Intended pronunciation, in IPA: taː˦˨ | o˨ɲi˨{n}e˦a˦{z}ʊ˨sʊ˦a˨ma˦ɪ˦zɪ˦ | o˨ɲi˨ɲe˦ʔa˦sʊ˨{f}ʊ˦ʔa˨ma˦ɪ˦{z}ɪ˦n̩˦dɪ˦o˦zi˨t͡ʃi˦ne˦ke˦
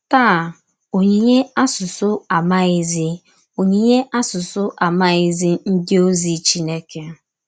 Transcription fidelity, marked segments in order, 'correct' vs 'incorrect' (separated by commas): incorrect, incorrect, incorrect, correct